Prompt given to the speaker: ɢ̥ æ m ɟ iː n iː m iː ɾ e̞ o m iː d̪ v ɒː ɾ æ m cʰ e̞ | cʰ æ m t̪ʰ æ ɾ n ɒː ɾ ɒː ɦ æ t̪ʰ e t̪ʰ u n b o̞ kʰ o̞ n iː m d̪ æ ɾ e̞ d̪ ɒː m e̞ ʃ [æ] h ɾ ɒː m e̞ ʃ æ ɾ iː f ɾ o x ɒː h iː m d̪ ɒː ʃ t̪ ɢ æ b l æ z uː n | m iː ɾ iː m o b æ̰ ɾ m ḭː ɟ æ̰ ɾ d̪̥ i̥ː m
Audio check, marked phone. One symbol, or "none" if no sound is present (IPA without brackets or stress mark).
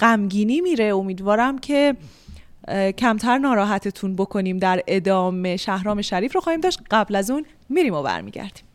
æ